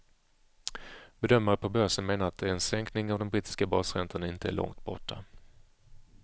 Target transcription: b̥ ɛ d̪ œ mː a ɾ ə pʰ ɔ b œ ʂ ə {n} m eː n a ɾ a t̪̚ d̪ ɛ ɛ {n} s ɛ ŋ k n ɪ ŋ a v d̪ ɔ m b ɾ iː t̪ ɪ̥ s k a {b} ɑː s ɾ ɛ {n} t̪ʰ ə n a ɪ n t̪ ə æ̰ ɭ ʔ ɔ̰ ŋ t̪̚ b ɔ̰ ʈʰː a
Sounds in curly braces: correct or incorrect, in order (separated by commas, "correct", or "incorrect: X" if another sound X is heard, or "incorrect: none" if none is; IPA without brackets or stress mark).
correct, correct, correct, correct